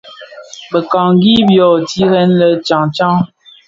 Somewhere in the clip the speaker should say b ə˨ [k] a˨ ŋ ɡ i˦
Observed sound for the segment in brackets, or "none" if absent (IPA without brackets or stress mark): k